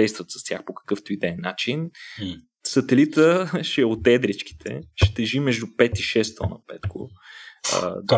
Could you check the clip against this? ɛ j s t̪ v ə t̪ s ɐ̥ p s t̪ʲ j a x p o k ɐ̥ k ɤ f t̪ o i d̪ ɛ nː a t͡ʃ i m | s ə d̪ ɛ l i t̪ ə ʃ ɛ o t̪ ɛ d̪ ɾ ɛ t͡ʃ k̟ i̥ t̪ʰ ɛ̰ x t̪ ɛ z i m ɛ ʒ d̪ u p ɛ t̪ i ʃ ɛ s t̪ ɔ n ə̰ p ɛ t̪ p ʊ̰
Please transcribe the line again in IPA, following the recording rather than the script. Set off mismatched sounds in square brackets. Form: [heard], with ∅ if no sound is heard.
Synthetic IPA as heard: ɛ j s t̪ v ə t̪ s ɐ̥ [∅] s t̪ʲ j a x p o k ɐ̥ k ɤ f t̪ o i d̪ ɛ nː a t͡ʃ i [n] | s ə [t̪] ɛ l i t̪ ə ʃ ɛ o t̪ ɛ d̪ ɾ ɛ t͡ʃ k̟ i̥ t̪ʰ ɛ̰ [ʃ] t̪ ɛ [ʒ] i m ɛ ʒ d̪ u p ɛ t̪ i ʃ ɛ s t̪ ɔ n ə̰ p ɛ t̪ [k] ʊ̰